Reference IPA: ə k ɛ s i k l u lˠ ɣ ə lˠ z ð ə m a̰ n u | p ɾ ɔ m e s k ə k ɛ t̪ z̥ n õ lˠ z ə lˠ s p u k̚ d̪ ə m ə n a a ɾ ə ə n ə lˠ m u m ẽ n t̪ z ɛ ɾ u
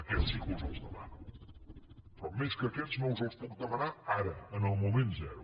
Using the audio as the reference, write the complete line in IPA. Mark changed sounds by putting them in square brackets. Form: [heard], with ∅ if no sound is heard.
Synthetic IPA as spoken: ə k ɛ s i k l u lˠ [z] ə lˠ z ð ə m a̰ n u | p ɾ ɔ m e s k ə k ɛ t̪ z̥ n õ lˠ z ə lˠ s p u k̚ d̪ ə m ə n a a ɾ ə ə n ə lˠ m u m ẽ n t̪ z ɛ ɾ u